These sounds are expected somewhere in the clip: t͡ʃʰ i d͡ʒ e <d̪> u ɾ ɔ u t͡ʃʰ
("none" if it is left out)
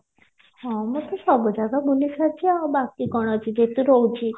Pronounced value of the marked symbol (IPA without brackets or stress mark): t̪